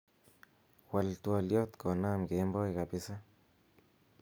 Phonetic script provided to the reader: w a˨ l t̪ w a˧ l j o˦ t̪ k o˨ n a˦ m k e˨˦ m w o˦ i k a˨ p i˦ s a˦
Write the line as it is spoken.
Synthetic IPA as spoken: w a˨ l t̪ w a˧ l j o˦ t̪ k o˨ n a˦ m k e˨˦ m b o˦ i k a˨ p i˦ s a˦